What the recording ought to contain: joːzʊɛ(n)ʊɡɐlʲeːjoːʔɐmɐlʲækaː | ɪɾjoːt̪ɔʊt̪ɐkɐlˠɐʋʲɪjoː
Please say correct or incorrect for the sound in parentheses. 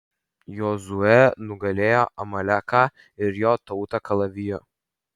correct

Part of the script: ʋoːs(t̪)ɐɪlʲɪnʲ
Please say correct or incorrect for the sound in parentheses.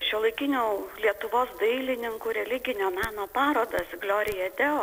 incorrect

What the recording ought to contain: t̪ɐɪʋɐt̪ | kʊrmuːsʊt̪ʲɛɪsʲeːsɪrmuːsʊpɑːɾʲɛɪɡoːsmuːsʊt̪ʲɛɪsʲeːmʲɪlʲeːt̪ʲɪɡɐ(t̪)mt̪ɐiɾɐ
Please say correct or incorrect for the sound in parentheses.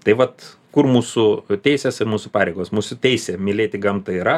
incorrect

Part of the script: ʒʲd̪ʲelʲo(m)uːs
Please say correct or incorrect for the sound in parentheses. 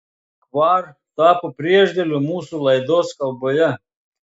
correct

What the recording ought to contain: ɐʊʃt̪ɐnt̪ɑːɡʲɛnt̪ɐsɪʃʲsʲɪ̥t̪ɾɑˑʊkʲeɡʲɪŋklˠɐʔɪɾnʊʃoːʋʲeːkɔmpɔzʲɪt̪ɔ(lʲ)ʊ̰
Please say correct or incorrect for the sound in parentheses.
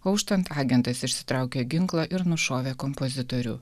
incorrect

